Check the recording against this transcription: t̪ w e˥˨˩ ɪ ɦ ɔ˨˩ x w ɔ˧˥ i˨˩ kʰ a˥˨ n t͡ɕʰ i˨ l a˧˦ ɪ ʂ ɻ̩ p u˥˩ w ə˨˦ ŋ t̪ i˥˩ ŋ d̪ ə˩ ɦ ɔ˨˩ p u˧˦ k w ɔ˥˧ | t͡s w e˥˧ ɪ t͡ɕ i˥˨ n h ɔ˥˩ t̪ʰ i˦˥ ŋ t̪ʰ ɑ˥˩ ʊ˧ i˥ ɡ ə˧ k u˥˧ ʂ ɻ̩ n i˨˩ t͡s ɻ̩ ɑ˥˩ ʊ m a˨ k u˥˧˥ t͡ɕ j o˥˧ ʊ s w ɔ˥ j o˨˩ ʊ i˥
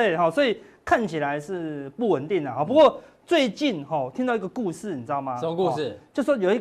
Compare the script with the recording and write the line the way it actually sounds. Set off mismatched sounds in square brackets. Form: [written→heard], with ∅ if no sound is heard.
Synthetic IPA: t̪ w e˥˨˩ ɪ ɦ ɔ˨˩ [x→s] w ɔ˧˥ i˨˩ kʰ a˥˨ n t͡ɕʰ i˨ l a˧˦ ɪ ʂ ɻ̩ p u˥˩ w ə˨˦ [ŋ→n] t̪ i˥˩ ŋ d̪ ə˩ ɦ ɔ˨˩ p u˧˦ k w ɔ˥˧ | t͡s w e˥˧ ɪ t͡ɕ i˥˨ n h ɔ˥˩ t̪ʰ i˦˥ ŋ [t̪ʰ→t̪] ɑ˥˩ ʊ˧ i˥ ɡ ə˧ k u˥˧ ʂ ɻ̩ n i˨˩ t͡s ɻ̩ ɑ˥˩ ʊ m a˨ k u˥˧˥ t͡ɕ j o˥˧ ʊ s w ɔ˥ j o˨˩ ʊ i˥